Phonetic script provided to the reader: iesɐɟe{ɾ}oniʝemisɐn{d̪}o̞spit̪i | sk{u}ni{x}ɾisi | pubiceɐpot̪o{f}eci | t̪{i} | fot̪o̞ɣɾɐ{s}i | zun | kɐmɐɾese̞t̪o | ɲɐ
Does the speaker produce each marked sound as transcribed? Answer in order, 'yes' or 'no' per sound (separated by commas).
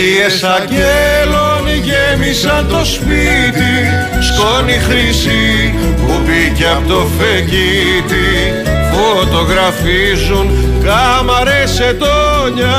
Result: no, no, no, yes, yes, yes, no